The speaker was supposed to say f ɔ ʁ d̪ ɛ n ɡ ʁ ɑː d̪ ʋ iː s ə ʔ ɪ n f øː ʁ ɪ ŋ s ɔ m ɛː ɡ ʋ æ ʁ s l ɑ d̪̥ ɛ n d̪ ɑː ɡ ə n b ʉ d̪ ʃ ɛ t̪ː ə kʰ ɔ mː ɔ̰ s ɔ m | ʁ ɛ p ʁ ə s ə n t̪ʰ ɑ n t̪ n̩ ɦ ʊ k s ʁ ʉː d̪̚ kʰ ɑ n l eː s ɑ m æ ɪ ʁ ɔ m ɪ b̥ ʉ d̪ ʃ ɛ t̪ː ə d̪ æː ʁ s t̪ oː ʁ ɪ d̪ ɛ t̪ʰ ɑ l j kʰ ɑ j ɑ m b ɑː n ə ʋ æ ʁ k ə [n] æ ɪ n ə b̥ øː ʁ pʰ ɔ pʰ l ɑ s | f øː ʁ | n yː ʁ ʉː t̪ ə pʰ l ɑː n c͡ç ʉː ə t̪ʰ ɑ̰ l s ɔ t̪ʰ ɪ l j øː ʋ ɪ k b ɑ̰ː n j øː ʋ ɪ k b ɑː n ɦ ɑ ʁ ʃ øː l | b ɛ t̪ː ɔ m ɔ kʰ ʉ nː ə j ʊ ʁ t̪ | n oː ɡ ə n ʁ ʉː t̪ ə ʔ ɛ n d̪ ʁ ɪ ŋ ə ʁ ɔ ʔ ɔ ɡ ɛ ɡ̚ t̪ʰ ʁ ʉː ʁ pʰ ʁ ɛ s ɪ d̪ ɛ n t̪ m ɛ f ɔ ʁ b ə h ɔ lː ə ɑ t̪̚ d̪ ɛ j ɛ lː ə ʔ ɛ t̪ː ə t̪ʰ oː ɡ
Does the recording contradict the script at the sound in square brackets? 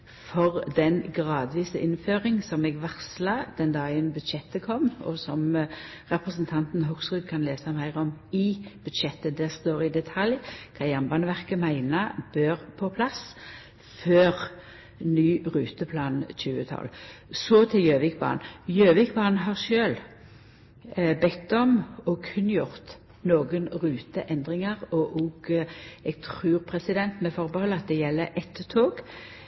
yes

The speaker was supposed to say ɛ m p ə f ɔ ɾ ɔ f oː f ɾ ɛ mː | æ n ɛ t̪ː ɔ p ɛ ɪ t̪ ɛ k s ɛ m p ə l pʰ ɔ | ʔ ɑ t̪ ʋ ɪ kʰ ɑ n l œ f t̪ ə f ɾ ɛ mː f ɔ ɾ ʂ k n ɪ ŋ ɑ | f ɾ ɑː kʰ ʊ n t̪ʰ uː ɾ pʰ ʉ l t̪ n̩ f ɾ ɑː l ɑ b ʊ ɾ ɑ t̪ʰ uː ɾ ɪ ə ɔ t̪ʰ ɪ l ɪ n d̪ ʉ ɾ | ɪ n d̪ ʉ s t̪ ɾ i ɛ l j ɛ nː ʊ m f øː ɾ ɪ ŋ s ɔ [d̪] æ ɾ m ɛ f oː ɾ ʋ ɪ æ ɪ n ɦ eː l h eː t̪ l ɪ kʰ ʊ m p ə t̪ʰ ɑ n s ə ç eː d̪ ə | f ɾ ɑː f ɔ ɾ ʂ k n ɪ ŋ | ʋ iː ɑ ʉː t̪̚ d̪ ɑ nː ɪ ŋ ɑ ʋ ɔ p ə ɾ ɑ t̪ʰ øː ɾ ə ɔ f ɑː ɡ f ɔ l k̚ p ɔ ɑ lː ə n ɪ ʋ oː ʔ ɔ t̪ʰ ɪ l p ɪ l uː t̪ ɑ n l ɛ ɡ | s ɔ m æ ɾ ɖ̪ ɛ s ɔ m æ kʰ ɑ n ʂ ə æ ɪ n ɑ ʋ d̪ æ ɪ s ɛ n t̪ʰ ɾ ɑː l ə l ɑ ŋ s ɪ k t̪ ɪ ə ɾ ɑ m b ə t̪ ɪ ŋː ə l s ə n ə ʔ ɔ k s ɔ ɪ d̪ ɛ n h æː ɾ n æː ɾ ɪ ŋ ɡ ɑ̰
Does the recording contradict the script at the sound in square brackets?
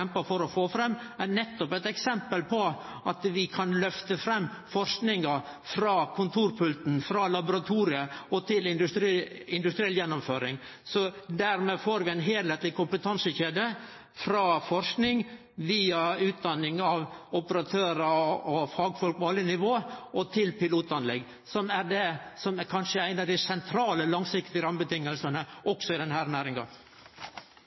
no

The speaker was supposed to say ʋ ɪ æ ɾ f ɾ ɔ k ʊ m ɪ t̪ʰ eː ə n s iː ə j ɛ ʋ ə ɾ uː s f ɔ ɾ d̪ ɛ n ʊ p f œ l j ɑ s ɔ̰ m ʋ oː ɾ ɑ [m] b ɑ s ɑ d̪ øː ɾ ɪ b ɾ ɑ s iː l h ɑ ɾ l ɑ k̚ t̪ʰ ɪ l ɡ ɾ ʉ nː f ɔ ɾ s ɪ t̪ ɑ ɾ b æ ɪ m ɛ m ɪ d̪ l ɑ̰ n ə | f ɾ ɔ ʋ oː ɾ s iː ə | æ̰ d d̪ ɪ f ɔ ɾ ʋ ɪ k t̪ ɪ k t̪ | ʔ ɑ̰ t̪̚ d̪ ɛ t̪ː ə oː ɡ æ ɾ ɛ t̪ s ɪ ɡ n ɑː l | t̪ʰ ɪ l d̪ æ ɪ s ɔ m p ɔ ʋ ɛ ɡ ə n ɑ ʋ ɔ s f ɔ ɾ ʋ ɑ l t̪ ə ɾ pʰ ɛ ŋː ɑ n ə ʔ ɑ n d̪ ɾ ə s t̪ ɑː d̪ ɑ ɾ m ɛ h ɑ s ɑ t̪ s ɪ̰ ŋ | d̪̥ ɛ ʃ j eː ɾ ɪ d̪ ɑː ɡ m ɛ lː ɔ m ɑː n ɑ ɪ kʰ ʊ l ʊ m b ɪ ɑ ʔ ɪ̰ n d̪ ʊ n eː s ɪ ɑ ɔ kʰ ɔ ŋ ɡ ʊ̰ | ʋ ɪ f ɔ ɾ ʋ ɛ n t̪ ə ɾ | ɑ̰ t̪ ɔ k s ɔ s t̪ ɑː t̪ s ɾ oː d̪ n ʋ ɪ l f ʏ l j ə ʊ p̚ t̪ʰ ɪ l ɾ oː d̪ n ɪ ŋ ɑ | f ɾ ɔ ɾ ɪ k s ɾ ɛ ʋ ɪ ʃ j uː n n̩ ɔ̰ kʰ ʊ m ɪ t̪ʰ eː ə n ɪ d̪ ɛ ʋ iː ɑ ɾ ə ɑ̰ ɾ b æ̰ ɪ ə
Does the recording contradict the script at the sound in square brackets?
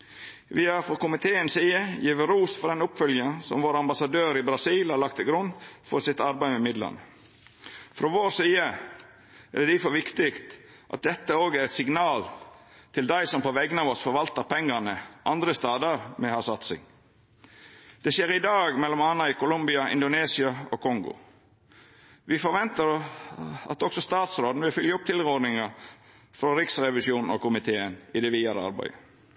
no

